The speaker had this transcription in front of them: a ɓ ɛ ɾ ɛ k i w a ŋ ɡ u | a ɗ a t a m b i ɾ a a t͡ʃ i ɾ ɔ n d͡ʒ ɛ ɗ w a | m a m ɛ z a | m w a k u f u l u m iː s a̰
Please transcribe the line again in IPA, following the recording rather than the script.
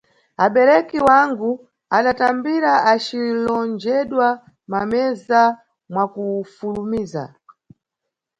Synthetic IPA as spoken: a ɓ ɛ ɾ ɛ k i w a ŋ ɡ u | a ɗ a t a m b i ɾ a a t͡ʃ i l ɔ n d͡ʒ ɛ ɗ w a | m a m ɛ z a | m w a k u f u l u m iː z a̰